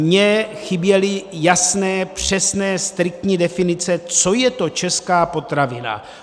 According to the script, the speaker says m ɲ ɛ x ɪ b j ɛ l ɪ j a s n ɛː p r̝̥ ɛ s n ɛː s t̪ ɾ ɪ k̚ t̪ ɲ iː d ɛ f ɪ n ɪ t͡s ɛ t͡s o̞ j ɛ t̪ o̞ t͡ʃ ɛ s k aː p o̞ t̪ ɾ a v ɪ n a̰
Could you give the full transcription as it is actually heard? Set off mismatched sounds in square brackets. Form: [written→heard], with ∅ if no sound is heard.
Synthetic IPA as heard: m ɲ ɛ x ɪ b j ɛ l ɪ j a s n ɛː p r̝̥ ɛ s n ɛː s t̪ ɾ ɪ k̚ t̪ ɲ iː d ɛ f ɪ n ɪ t͡s ɛ t͡s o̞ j ɛ t̪ o̞ t͡ʃ ɛ s k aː p o̞ t̪ ɾ a v ɪ n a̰